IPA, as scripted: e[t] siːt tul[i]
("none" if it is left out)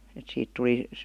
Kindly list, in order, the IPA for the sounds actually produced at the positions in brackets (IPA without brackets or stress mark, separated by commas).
t, i